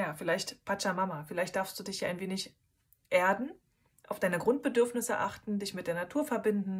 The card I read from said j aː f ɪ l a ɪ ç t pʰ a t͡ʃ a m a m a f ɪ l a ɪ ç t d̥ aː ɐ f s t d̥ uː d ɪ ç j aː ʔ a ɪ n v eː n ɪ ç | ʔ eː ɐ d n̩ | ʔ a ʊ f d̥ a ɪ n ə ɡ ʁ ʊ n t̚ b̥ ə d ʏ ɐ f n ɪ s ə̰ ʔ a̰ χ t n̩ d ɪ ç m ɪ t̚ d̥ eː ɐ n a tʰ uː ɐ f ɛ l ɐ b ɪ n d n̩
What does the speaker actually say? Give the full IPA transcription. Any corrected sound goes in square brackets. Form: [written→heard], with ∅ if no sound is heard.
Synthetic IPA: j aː f ɪ l a ɪ ç t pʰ a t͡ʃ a m a m a f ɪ l a ɪ ç t d̥ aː ɐ f s t d̥ uː d ɪ ç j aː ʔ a ɪ n v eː n ɪ ç | ʔ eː ɐ d n̩ | ʔ a ʊ f d̥ a ɪ n ə ɡ ʁ ʊ n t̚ b̥ ə d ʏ ɐ f n ɪ s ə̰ ʔ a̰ χ t n̩ d ɪ ç m ɪ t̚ d̥ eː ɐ n a tʰ uː ɐ f ɛ [l→∅] ɐ b ɪ n d n̩